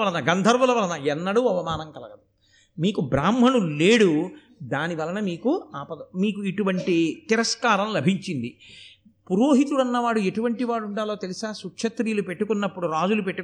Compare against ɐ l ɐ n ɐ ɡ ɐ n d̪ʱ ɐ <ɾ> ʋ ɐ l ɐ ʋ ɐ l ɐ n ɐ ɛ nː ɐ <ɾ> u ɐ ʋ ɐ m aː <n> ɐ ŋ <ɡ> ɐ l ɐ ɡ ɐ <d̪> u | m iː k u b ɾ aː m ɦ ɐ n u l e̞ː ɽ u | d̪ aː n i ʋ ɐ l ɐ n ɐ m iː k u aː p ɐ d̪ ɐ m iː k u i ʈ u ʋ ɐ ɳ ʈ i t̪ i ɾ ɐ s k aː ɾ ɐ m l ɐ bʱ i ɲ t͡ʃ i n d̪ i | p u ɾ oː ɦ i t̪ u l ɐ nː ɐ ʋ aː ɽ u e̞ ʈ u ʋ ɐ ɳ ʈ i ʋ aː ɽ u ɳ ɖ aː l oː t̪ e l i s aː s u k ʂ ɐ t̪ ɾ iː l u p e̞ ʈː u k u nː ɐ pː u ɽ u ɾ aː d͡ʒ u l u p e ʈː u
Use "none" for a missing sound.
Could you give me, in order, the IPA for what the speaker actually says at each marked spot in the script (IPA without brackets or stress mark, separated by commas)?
ɾ, ɽ, n, k, d̪